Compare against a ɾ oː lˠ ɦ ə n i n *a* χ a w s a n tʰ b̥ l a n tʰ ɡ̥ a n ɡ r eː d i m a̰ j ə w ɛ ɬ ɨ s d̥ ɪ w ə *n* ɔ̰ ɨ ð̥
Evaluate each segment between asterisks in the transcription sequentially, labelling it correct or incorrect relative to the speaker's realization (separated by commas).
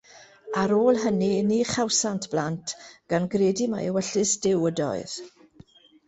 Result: incorrect, incorrect